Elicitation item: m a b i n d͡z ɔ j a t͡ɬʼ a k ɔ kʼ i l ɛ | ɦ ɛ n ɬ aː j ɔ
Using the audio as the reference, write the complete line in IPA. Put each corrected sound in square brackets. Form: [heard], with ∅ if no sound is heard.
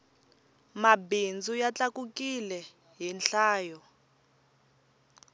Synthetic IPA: m a b i n d͡z [u] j a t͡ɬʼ a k [u] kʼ i l ɛ | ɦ [i] n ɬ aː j ɔ